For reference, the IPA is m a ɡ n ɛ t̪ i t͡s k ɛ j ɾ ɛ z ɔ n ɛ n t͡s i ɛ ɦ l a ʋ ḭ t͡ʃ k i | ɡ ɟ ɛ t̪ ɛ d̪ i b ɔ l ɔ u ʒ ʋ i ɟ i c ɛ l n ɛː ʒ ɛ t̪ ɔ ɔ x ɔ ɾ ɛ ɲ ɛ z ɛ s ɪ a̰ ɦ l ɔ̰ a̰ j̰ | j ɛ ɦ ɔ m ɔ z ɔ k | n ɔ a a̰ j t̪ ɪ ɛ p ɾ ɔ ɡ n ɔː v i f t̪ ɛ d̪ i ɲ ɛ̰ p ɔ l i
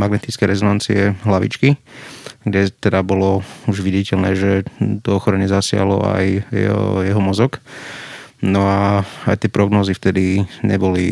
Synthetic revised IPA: m a ɡ n ɛ t̪ i t͡s k ɛ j ɾ ɛ z ɔ n a n t͡s i ɛ ɦ l a ʋ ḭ t͡ʃ k i | ɡ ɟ ɛ t̪ ɛ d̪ a b ɔ l ɔ u ʒ ʋ i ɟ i c ɛ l n ɛː ʒ ɛ t̪ ɔ ɔ x ɔ ɾ ɛ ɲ ɛ z a s ɪ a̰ ɦ l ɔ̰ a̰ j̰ | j ɛ ɦ ɔ m ɔ z ɔ k | n ɔ a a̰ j t̪ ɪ ɛ p ɾ ɔ ɡ n ɔː z i f t̪ ɛ d̪ i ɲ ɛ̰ b ɔ l i